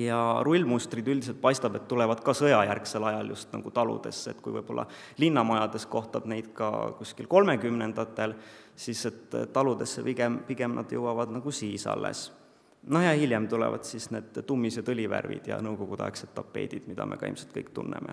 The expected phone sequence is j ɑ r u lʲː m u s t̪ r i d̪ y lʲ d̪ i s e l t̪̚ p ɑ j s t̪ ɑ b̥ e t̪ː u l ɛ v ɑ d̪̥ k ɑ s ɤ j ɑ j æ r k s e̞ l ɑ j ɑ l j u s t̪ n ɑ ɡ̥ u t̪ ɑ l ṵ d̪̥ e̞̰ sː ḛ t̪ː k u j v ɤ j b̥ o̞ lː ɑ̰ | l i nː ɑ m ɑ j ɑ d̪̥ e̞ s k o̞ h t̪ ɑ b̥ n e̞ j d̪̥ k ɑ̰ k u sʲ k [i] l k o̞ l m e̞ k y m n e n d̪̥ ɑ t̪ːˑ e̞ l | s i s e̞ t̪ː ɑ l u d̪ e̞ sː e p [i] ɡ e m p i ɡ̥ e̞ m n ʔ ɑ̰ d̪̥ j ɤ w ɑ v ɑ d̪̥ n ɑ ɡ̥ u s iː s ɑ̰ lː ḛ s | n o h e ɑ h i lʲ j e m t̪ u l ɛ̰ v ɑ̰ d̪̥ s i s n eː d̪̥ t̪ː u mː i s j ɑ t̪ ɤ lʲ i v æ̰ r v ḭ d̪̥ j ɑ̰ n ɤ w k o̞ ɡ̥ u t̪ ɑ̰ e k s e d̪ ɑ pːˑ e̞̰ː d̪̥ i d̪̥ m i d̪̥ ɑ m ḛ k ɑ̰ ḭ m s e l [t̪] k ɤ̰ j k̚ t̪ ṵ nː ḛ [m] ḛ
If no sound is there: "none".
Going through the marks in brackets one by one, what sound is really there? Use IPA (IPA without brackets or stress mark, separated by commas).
i, i, t̪, m